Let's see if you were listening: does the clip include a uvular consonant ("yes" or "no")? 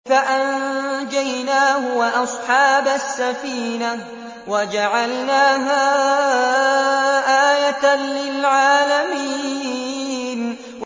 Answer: no